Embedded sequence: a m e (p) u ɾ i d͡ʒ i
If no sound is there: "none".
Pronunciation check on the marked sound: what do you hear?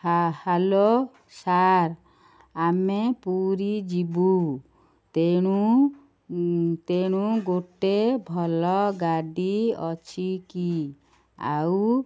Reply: p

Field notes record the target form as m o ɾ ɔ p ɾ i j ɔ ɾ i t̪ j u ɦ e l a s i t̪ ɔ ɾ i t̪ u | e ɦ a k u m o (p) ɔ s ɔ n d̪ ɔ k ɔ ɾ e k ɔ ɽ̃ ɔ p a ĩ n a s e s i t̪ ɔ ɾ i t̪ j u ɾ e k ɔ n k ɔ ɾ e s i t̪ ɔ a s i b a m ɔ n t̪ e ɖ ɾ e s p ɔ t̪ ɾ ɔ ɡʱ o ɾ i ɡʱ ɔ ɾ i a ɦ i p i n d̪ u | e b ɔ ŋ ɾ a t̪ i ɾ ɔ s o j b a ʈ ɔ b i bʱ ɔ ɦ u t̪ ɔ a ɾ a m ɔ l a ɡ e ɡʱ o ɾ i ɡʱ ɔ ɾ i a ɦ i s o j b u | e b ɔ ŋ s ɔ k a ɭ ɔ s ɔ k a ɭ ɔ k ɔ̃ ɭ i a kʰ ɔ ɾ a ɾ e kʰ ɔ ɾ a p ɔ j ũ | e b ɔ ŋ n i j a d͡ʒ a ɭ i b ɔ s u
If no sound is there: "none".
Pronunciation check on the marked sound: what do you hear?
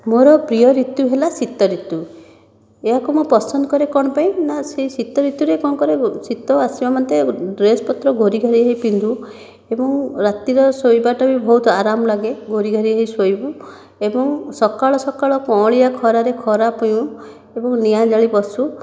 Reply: p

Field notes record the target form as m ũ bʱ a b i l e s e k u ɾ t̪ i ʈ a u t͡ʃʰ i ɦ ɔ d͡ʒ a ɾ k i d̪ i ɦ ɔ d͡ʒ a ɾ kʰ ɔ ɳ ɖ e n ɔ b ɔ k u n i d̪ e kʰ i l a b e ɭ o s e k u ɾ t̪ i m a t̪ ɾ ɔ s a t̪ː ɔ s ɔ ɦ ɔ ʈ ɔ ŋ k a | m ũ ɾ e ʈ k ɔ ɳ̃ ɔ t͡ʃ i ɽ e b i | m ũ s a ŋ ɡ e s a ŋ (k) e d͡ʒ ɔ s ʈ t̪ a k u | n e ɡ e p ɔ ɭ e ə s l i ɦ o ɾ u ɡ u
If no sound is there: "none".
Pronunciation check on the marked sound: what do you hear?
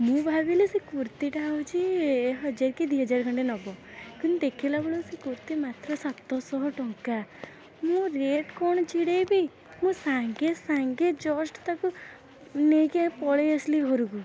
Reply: ɡ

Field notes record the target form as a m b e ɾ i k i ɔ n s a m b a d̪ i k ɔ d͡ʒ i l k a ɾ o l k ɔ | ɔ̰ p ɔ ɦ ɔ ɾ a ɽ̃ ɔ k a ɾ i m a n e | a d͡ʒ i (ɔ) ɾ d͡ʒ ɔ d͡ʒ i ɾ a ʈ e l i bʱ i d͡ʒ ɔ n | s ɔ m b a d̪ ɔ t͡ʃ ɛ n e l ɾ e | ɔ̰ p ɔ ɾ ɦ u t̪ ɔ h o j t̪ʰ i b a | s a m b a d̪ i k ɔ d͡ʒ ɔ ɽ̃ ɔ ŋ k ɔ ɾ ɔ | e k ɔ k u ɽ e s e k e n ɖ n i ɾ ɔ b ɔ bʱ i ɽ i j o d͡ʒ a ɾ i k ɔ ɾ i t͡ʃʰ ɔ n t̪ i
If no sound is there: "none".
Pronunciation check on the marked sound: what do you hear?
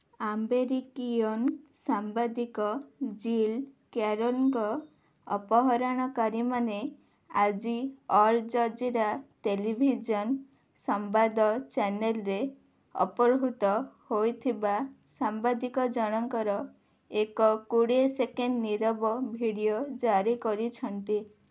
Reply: ɔ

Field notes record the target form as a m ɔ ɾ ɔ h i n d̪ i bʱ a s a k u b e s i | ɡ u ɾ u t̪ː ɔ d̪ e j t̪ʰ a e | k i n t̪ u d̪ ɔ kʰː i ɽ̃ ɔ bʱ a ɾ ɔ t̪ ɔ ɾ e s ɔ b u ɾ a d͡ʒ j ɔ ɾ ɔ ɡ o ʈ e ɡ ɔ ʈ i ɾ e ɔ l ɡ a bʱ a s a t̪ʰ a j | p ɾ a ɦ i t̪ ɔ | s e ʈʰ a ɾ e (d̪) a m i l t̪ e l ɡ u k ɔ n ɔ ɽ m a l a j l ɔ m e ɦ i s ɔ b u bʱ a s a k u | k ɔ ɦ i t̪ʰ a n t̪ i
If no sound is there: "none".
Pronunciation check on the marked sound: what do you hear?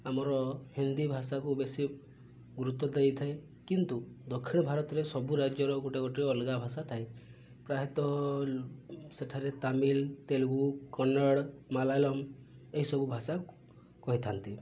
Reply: t̪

